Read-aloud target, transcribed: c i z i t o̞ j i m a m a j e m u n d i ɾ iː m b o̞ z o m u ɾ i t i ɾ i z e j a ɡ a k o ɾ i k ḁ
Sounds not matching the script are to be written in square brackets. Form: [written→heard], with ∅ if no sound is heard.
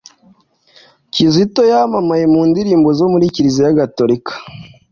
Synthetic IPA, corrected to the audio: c i z i t o̞ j [i→a] m a m a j e m [u→uː] n d i ɾ iː m b o̞ z o m u ɾ i [t→c] i ɾ i z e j a ɡ a [k→t] o ɾ i k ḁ